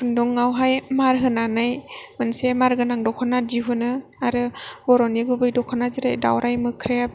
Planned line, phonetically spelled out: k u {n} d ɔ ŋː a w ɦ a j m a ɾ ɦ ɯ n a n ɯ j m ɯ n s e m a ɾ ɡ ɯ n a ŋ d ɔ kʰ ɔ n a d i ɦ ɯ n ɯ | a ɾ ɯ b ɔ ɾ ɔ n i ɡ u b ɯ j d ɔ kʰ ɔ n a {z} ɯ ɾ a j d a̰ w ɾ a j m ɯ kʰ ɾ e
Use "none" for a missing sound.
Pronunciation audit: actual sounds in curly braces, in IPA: n, z

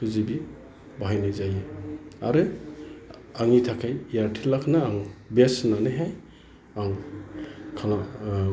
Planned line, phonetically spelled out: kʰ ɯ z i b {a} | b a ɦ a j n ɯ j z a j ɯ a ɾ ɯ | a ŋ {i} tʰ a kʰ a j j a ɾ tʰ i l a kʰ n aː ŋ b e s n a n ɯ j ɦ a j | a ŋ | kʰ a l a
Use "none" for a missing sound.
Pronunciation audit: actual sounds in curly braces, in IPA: i, i

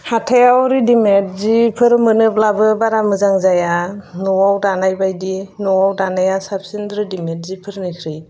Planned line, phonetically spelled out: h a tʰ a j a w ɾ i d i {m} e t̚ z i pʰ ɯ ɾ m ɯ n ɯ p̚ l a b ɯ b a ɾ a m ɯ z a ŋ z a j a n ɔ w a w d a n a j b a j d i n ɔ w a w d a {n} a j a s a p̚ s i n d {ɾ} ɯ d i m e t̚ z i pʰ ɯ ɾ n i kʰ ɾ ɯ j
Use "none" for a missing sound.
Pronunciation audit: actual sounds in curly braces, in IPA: m, n, ɾ

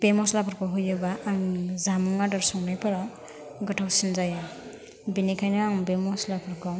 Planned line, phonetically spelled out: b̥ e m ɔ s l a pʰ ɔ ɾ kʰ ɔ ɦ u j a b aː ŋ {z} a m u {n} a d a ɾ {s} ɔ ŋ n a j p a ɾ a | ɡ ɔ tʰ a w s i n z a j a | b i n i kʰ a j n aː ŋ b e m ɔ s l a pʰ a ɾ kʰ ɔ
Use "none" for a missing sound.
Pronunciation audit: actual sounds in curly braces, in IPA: z, ŋ, s

